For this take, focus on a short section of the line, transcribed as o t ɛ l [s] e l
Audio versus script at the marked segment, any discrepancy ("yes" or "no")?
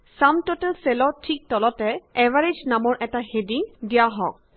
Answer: no